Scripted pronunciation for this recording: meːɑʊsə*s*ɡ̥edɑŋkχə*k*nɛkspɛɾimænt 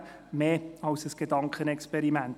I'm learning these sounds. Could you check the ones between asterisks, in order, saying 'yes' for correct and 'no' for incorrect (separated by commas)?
yes, no